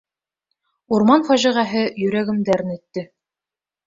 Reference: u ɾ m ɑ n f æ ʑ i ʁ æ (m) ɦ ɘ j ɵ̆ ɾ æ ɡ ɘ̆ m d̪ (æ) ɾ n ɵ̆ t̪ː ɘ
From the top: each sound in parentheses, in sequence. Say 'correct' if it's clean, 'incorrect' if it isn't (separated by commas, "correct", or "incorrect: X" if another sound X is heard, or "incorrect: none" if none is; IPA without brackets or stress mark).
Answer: incorrect: none, correct